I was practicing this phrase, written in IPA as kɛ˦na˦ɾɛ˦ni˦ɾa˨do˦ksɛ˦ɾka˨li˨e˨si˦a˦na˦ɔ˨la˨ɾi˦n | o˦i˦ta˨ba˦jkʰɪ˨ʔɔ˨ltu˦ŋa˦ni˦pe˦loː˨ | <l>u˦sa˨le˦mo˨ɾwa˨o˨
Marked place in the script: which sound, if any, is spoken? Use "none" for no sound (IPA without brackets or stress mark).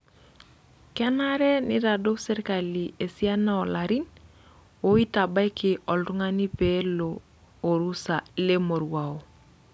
ɾ